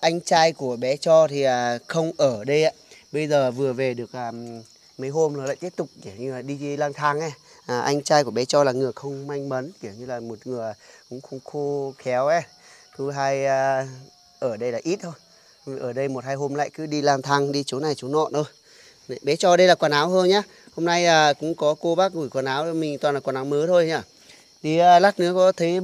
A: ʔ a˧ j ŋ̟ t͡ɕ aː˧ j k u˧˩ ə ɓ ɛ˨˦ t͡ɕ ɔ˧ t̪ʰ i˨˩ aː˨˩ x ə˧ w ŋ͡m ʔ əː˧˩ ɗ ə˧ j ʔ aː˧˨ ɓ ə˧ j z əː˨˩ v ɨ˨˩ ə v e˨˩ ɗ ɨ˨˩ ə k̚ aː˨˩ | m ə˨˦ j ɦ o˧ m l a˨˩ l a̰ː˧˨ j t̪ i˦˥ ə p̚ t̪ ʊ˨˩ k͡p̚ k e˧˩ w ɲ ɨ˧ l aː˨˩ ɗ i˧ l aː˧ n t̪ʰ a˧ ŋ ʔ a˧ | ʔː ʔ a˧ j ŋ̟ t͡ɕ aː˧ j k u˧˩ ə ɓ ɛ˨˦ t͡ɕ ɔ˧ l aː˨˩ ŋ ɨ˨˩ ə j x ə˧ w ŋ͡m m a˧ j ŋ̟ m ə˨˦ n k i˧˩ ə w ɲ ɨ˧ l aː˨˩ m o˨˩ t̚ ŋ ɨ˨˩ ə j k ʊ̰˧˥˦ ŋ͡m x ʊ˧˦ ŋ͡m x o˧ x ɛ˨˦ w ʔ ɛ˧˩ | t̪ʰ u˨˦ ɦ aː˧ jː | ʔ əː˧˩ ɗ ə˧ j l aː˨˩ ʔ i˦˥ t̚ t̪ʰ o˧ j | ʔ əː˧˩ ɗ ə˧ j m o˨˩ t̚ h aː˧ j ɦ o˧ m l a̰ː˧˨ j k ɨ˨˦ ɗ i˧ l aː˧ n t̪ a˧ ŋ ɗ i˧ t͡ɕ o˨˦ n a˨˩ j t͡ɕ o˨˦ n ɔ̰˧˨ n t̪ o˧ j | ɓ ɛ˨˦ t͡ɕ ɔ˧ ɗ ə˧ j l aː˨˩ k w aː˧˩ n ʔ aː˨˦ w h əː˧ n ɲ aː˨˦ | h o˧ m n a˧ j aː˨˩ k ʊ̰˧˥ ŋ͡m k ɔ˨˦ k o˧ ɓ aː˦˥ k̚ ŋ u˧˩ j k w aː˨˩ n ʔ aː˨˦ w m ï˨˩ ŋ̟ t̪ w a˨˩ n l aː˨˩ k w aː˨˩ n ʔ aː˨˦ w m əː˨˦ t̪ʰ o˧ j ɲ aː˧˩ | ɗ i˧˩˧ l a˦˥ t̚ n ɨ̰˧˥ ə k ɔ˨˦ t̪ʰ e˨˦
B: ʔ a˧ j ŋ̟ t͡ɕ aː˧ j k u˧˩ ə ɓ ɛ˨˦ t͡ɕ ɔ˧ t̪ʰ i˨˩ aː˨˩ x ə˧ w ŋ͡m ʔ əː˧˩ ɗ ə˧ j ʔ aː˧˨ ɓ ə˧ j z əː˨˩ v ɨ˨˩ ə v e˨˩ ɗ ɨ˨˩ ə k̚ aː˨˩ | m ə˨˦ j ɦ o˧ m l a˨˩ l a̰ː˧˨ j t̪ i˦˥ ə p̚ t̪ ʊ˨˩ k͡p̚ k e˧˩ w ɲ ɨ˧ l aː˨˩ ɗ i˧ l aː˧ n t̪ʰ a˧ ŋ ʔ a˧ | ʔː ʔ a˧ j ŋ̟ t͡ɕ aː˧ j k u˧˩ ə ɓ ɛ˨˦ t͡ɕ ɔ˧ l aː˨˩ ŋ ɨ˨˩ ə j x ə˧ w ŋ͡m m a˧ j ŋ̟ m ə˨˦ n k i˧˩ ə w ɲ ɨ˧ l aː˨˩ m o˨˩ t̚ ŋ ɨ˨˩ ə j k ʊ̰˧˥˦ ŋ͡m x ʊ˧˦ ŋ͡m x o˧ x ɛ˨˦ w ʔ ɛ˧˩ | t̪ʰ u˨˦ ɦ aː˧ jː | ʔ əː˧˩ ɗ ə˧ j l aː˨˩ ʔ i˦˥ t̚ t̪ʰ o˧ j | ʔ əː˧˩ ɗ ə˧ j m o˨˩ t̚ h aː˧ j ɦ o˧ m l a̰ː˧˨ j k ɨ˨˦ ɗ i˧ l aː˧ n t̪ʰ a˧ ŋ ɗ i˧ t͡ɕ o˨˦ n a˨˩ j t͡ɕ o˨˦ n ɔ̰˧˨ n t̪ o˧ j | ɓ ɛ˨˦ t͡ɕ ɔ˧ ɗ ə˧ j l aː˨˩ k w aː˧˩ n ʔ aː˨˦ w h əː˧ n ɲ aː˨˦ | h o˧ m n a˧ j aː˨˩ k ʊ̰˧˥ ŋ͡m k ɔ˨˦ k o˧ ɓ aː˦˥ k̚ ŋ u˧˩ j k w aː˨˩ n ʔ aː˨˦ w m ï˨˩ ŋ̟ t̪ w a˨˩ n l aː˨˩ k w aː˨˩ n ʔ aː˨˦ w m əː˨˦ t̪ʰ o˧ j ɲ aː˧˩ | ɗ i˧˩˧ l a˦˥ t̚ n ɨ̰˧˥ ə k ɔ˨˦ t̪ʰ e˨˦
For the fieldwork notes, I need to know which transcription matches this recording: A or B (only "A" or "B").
B